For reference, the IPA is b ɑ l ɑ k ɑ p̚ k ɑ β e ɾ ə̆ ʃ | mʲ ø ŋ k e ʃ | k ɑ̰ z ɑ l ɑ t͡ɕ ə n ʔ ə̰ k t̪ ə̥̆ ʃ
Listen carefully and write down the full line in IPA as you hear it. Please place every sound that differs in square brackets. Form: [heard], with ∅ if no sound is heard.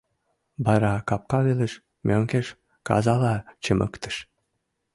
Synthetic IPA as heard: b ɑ [ɾ] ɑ k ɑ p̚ k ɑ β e [l] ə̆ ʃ | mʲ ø ŋ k e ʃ | k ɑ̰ z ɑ l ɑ t͡ɕ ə [m] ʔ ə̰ k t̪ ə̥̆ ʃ